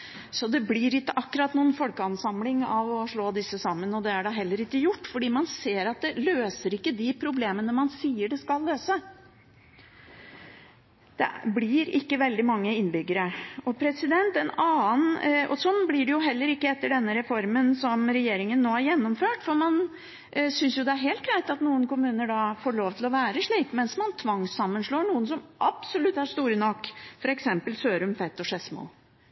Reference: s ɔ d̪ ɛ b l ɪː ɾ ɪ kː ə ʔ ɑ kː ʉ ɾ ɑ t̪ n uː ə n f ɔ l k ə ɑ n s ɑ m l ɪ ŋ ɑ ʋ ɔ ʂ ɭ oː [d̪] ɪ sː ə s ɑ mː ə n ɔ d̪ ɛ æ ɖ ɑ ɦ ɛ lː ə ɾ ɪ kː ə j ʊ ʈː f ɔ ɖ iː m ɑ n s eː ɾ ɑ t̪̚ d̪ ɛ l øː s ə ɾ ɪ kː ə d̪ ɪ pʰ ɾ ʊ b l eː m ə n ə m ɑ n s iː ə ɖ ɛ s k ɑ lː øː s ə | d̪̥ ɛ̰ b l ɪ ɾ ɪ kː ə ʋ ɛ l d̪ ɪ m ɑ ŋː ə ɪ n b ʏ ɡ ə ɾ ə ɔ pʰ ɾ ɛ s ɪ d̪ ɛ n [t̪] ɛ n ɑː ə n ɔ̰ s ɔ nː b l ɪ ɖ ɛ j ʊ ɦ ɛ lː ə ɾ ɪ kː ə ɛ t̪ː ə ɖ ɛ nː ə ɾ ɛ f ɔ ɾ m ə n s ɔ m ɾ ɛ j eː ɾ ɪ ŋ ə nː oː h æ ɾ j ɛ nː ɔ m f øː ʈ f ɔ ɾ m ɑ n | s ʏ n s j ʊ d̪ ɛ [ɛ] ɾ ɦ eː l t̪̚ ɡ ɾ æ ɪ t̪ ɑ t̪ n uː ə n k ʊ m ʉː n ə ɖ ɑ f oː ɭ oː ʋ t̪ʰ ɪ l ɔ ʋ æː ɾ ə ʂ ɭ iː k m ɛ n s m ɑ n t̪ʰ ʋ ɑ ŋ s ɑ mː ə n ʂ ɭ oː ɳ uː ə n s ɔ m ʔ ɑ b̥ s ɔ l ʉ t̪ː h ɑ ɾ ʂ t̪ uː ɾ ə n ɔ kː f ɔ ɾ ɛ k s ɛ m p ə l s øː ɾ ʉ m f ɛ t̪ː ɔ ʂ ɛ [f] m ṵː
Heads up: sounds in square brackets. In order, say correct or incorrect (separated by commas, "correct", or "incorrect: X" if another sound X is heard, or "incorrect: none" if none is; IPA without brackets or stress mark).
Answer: correct, correct, incorrect: æ, incorrect: s